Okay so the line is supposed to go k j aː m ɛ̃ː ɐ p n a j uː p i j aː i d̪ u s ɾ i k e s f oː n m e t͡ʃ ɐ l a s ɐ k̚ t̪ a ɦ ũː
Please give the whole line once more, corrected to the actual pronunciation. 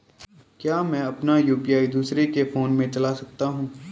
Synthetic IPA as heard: k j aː m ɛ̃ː ɐ p n a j uː p i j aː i d̪ uː s ɾ e k e f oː n m ẽ t͡ʃ ɐ l a s ɐ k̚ t̪ a ɦ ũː